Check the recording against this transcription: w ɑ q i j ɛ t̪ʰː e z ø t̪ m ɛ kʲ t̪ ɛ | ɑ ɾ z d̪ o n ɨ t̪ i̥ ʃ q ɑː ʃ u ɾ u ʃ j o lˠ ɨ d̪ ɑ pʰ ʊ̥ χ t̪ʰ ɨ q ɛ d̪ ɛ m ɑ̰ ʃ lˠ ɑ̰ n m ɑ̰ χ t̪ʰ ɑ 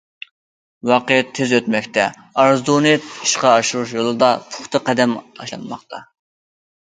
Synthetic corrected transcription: w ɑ q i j ɛ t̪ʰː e z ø t̪ m ɛ kʲ t̪ ɛ | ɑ ɾ z d̪ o n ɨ t̪ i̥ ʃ q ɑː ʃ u ɾ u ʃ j o lˠ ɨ d̪ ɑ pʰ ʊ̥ χ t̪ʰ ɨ q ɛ d̪ ɛ m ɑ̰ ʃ lˠ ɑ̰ n m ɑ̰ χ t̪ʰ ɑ

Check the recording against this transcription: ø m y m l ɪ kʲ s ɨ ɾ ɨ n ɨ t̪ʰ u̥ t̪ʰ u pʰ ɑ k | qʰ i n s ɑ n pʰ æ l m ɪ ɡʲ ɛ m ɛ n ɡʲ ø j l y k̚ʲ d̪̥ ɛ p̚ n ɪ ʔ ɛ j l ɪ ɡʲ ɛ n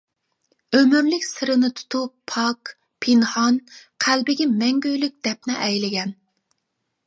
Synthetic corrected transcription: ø m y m l ɪ kʲ s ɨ ɾ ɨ n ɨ t̪ʰ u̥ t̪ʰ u pʰ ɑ k | pʰ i n h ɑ n qʰ æ l b ɪ ɡʲ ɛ m ɛ ŋ ɡʲ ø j l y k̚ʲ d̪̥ ɛ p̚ n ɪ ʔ ɛ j l ɪ ɡʲ ɛ n

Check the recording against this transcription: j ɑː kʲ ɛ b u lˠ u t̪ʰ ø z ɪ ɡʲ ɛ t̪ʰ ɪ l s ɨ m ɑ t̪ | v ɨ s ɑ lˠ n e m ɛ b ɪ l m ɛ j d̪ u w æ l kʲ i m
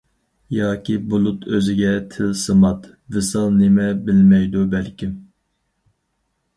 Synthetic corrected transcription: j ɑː kʲ i b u lˠ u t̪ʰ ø z ɪ ɡʲ ɛ t̪ʰ ɪ l s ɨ m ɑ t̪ | v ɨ s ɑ lˠ n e m ɛ b ɪ l m ɛ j d̪ u b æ l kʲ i m

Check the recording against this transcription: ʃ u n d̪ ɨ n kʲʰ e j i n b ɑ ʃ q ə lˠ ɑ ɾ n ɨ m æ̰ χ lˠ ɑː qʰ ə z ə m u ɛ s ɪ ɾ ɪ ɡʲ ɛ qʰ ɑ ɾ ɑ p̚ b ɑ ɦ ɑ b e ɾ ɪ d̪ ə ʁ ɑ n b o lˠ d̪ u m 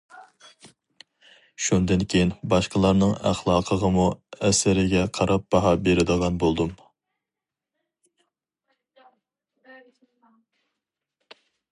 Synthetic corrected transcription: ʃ u n d̪ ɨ n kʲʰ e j i n b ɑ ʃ q ə lˠ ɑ ɾ n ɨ ŋ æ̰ χ lˠ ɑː qʰ ə ʁ ə m u ɛ s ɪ ɾ ɪ ɡʲ ɛ qʰ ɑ ɾ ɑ p̚ b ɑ ɦ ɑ b e ɾ ɪ d̪ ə ʁ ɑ n b o lˠ d̪ u m

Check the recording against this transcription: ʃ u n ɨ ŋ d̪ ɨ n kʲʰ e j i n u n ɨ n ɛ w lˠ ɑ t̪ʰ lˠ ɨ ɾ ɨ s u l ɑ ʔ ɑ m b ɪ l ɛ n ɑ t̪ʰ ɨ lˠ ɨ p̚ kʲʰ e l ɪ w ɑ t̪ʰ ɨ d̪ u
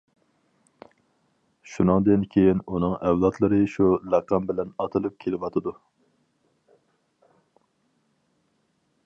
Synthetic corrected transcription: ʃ u n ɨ ŋ d̪ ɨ n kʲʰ e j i n u n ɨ ŋ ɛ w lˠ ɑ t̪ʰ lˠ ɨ ɾ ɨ ʃ u l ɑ q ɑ m b ɪ l ɛ n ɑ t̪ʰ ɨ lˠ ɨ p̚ kʲʰ e l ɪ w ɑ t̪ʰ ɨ d̪ u

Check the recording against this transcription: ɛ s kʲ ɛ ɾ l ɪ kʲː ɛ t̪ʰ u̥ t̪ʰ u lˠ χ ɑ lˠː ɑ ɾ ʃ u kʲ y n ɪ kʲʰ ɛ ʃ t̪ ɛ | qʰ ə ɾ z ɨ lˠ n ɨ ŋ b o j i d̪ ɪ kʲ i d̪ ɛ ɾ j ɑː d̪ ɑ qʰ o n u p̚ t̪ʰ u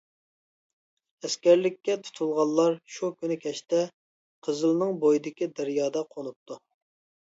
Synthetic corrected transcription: ɛ s kʲ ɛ ɾ l ɪ kʲː ɛ t̪ʰ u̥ t̪ʰ u lˠ ʁ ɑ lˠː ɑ ɾ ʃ u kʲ y n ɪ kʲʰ ɛ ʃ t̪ ɛ | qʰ ə z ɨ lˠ n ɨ ŋ b o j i d̪ ɪ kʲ i d̪ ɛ ɾ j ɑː d̪ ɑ qʰ o n u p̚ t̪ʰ u

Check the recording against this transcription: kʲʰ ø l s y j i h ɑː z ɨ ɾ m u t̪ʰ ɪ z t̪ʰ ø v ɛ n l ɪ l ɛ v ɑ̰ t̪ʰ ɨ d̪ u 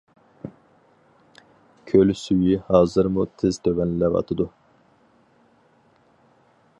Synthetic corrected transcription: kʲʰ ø l s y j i h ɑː z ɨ ɾ m u t̪ʰ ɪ z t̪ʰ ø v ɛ n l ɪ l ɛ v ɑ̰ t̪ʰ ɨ d̪ u

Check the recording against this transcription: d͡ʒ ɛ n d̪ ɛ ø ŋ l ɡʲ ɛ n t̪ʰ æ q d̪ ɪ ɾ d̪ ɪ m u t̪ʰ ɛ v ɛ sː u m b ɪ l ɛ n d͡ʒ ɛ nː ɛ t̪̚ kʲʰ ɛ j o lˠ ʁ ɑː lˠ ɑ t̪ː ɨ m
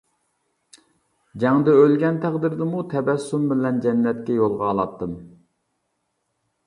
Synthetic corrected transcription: d͡ʒ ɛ ŋ d̪ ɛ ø l ɡʲ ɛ n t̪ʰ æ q d̪ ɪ ɾ d̪ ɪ m u t̪ʰ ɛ b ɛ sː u m b ɪ l ɛ n d͡ʒ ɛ nː ɛ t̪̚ kʲ ɛ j o lˠ ʁ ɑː lˠ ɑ t̪ː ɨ m

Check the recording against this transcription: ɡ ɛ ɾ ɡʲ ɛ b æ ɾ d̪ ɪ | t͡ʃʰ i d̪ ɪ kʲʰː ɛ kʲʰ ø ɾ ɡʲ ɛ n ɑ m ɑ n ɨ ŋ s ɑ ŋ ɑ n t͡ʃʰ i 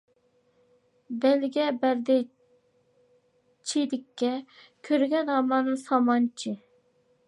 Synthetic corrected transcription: b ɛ l ɡʲ ɛ b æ ɾ d̪ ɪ | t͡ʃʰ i d̪ ɪ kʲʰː ɛ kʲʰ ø ɾ ɡʲ ɛ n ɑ m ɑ n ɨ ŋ s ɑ m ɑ n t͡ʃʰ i

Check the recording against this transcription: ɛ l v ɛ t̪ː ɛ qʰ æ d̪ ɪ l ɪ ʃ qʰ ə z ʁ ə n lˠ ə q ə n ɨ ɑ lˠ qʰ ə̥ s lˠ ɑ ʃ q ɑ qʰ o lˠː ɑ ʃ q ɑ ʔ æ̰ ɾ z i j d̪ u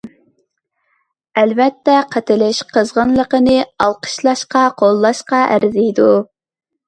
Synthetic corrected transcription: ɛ l v ɛ t̪ː ɛ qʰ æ t̪ ɪ l ɪ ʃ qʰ ə z ʁ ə n lˠ ə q ə n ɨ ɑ lˠ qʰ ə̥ ʃ lˠ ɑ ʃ q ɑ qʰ o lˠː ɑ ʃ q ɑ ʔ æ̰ ɾ z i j d̪ u

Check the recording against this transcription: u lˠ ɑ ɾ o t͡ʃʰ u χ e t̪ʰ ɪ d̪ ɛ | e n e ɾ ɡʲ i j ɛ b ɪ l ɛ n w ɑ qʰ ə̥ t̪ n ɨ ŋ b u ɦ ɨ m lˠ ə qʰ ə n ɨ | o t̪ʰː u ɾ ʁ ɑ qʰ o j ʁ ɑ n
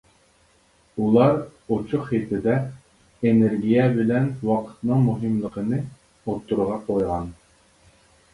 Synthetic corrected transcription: u lˠ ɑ ɾ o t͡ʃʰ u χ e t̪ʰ ɪ d̪ ɛ | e n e ɾ ɡʲ i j ɛ b ɪ l ɛ n w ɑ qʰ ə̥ t̪ n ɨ ŋ m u ɦ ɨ m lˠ ə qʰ ə n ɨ | o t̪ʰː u ɾ ʁ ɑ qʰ o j ʁ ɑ n

